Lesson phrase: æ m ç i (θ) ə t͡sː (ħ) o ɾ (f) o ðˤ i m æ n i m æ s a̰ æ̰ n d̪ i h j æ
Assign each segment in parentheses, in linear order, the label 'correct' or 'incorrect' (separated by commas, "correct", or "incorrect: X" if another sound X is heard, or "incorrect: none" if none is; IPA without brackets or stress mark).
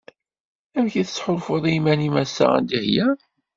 correct, correct, correct